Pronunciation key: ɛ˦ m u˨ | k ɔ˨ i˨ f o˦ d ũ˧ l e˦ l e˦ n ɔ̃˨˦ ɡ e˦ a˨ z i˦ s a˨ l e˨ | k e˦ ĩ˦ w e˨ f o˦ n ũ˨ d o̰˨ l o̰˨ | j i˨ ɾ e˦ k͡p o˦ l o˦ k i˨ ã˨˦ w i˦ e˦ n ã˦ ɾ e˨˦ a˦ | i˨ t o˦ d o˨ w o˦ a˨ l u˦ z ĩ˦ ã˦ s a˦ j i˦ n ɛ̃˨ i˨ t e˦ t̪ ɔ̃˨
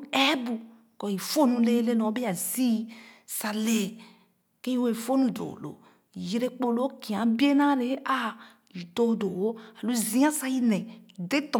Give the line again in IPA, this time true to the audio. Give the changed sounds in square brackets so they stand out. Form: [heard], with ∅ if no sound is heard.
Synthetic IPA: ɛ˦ [b] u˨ | k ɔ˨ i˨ f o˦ [n] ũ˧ l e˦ l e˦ n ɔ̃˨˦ [b] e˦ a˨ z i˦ s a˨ l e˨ | k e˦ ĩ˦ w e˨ f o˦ n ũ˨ d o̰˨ l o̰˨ | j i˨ ɾ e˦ k͡p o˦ l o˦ k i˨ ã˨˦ [b] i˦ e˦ n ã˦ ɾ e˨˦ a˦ | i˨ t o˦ d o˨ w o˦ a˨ l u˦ z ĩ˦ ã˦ s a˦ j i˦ n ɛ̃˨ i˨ [d] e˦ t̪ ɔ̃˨

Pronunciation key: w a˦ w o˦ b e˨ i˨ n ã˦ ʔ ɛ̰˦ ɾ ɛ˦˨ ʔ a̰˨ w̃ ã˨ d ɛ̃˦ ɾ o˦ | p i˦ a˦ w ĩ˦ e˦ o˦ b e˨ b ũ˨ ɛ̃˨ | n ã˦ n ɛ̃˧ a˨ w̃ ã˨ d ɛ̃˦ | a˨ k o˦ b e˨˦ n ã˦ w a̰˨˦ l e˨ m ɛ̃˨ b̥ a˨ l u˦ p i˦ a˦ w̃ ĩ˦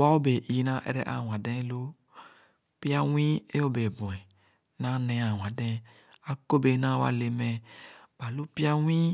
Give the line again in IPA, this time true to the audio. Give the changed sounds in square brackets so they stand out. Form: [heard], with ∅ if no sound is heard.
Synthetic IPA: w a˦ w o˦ b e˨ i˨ n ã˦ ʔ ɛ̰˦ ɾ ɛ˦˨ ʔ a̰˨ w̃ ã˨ d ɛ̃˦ [l] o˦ | p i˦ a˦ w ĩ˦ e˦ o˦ b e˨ b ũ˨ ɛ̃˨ | n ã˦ n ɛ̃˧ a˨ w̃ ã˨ d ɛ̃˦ | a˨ k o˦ b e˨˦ n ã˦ w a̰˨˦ l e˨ m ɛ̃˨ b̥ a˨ l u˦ p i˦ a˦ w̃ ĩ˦

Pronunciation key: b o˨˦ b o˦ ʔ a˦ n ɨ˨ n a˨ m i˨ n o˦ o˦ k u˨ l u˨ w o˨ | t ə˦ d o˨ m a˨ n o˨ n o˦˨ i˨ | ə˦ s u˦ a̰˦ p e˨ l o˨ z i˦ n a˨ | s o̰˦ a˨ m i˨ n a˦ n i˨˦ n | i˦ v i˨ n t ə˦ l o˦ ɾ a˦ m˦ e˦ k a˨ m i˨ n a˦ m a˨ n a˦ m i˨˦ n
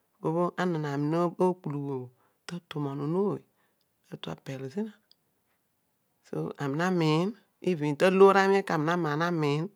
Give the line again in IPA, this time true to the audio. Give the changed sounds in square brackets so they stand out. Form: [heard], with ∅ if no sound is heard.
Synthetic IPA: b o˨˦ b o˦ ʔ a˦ n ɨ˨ n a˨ m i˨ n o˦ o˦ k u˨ l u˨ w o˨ | t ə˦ [t] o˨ m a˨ n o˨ n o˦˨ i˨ | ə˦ [t] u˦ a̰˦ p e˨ l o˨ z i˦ n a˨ | s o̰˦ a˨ m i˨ n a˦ [m] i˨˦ n | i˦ v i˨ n t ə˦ l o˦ ɾ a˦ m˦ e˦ k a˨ m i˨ n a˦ m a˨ n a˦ m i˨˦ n

